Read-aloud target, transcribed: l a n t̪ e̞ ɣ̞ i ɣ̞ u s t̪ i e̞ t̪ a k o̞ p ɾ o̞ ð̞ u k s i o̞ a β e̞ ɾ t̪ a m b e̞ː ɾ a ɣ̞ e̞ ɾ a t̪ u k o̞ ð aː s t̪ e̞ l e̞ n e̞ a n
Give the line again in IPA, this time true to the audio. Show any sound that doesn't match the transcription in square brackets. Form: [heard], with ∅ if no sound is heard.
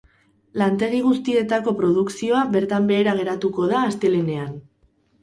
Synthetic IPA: l a n t̪ e̞ ɣ̞ i ɣ̞ u s t̪ i e̞ t̪ a k o̞ p ɾ o̞ ð̞ u k s i o̞ a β e̞ ɾ t̪ a m b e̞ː ɾ a ɣ̞ e̞ ɾ a t̪ u k o̞ ð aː s t̪ e̞ l e̞ n e̞ a n